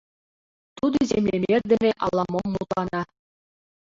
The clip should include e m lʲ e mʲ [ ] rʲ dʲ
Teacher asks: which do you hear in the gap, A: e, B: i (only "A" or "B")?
A